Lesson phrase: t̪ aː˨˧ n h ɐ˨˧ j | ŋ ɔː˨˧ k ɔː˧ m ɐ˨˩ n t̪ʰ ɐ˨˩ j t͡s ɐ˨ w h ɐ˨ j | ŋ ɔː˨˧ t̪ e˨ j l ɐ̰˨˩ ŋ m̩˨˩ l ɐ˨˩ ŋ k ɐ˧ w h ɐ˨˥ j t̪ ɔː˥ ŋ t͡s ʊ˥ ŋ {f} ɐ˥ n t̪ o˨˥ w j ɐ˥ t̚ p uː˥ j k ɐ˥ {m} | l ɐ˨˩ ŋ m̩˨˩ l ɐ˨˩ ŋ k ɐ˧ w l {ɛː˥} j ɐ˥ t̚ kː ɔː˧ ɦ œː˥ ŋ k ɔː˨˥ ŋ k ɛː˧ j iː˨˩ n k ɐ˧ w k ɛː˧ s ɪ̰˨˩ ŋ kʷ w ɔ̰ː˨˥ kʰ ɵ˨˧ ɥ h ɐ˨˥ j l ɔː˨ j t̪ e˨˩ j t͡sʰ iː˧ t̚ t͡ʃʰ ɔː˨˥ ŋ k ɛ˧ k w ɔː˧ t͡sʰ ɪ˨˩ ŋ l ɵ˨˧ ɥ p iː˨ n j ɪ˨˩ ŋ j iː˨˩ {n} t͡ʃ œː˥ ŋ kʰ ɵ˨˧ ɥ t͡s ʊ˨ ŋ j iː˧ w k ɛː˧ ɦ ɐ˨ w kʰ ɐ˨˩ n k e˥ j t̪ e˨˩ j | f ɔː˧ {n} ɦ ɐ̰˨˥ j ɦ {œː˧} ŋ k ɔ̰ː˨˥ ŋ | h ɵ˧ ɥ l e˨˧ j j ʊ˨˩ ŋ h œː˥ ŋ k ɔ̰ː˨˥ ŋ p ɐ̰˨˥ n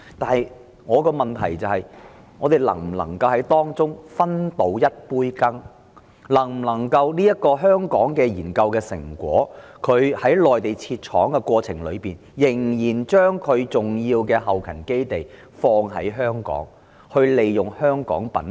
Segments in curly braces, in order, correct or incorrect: correct, incorrect: ŋ, incorrect: iː˥, correct, incorrect: ŋ, incorrect: œː˥

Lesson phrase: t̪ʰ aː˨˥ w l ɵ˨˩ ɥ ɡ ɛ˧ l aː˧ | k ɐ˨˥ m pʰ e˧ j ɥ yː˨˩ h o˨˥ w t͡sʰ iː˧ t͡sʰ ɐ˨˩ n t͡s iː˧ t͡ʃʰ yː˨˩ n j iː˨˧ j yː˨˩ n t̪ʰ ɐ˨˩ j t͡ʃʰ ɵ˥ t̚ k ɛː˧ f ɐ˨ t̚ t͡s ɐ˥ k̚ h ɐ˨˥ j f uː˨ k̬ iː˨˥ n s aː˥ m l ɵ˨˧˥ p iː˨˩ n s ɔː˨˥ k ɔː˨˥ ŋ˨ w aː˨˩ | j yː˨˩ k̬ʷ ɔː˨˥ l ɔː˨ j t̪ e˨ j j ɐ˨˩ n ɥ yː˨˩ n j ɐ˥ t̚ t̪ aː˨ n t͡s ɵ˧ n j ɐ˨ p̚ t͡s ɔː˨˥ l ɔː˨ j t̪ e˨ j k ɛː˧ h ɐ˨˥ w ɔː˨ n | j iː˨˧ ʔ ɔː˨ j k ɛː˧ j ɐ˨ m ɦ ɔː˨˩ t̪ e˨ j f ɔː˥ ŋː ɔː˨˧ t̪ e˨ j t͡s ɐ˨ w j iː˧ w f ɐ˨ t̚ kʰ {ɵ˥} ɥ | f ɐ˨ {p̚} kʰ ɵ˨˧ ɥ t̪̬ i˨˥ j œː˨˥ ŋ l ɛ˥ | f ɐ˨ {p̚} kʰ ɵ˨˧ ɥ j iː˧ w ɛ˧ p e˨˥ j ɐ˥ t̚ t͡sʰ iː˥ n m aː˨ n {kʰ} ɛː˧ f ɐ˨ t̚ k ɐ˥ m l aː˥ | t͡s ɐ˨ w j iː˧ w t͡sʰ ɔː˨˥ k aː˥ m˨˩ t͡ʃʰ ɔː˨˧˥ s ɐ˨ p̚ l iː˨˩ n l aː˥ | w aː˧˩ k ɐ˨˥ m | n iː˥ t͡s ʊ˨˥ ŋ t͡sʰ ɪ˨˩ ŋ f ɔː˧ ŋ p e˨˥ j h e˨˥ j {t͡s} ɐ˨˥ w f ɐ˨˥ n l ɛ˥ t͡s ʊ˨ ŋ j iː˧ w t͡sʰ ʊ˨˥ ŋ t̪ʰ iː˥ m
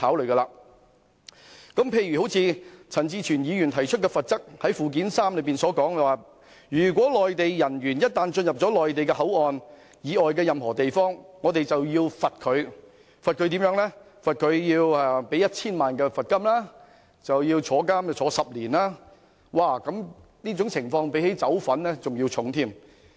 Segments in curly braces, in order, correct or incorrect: incorrect: ɵ˨˧, incorrect: t̚, incorrect: t̚, incorrect: k, correct

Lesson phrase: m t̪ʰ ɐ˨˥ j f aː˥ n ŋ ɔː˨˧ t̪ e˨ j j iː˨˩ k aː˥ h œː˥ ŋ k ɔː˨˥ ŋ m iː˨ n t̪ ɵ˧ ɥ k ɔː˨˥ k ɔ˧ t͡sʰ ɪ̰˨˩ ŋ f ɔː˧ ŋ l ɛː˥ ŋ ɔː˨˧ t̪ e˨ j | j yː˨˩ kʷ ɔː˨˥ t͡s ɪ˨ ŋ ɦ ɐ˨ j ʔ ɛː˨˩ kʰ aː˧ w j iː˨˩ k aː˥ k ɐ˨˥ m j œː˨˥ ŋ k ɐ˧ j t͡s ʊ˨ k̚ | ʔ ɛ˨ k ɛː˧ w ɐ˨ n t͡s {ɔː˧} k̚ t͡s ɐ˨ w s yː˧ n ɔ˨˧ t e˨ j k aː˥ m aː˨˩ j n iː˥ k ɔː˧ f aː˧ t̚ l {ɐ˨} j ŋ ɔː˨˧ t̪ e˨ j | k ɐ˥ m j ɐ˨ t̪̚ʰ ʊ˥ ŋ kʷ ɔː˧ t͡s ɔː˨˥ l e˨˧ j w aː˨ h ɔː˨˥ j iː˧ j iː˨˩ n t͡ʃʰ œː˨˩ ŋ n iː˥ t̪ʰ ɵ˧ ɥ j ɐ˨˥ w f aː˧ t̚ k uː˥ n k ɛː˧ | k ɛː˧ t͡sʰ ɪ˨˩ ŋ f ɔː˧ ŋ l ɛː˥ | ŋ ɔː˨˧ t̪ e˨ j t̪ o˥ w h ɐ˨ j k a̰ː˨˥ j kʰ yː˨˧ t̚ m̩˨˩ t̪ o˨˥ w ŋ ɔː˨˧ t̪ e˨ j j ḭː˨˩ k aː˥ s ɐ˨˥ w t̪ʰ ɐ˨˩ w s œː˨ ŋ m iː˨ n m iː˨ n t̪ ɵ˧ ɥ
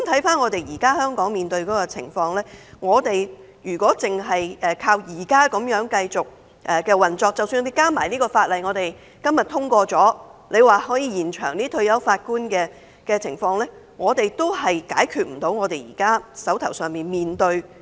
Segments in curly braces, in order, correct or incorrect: correct, correct

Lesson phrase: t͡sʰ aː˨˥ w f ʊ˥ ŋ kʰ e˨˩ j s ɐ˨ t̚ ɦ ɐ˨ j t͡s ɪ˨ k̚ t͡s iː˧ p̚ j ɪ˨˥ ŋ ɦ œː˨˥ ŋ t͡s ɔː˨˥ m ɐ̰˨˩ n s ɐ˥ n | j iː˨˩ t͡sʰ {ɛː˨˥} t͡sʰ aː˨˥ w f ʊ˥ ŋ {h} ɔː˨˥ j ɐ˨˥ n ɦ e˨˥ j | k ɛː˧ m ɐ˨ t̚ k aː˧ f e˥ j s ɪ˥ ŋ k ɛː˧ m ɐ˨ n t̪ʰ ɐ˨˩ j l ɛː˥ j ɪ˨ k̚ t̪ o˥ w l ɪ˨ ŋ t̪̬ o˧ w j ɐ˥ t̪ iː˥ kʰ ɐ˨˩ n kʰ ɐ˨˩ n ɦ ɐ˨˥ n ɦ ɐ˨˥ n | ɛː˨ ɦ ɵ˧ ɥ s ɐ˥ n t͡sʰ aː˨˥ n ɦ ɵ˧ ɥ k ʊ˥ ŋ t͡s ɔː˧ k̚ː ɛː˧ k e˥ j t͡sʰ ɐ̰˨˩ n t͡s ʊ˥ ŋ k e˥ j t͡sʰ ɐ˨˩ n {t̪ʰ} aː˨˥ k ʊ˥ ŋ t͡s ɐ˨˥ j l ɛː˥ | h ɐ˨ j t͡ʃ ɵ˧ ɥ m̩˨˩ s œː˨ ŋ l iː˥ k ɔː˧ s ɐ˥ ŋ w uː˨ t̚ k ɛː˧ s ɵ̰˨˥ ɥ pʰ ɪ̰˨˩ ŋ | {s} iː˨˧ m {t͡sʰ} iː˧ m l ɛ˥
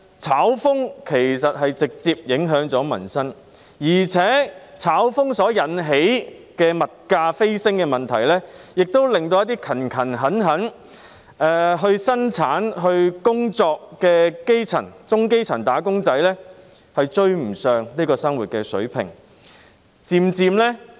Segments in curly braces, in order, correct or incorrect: correct, incorrect: s, incorrect: t̪, incorrect: t͡s, incorrect: t͡s

